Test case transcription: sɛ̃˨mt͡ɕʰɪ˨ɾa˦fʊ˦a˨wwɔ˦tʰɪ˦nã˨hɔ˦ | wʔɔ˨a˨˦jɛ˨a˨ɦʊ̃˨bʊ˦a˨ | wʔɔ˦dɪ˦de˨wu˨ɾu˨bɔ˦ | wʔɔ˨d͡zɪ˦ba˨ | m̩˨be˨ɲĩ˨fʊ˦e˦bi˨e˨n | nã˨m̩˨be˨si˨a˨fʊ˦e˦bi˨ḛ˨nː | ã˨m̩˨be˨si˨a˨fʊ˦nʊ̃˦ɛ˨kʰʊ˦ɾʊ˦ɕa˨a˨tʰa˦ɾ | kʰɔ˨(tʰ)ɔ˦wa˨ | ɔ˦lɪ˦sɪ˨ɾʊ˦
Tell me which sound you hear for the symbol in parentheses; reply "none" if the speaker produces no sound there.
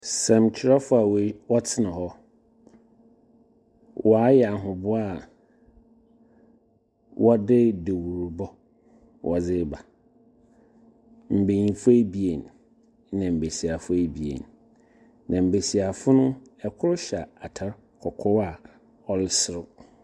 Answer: kʰ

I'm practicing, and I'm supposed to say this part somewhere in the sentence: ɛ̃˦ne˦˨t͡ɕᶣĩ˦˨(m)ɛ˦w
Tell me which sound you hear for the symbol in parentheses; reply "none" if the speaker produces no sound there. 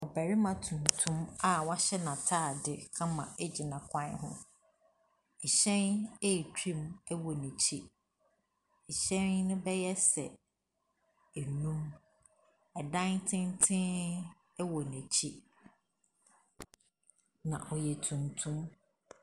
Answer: m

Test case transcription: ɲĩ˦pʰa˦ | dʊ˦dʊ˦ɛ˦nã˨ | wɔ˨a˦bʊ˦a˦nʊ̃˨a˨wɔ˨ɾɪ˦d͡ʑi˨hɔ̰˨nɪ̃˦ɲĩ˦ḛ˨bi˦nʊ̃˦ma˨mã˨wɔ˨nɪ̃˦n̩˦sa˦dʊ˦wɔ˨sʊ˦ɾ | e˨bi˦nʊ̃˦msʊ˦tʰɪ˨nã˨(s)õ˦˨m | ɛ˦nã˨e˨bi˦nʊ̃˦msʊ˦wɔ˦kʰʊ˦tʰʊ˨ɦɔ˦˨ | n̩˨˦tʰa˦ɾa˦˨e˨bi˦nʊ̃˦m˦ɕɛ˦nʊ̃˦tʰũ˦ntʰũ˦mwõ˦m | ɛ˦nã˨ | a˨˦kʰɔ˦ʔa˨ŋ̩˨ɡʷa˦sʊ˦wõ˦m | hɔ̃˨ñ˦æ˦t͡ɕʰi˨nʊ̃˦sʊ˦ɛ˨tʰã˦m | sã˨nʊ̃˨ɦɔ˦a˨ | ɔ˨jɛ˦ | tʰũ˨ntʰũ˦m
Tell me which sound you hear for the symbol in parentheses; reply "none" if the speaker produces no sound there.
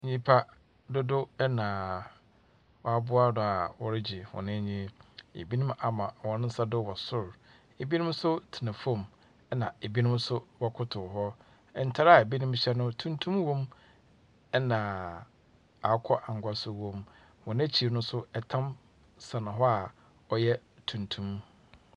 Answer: f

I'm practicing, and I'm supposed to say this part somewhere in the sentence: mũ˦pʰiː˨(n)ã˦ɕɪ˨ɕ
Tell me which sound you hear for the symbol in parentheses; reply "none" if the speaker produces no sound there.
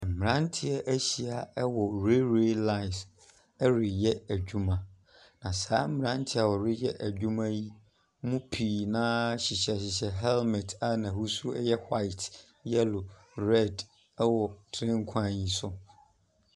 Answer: n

